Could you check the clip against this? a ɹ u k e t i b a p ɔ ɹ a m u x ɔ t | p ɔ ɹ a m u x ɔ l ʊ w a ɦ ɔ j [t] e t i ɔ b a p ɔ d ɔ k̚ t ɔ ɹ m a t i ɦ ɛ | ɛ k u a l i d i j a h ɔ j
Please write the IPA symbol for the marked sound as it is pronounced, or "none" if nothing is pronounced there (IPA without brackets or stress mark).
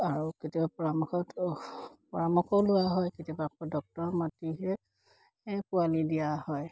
k